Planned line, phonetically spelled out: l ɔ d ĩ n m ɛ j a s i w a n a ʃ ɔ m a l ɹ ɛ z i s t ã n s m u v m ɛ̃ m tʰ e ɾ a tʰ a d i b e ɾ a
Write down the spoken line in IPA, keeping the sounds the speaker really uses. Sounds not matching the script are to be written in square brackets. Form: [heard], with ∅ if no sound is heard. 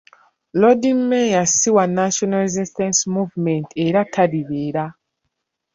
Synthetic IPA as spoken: l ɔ d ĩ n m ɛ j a s i w a n a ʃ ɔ [n] a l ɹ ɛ z i s t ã n s m u v m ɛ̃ [n] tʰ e ɾ a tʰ a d i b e ɾ a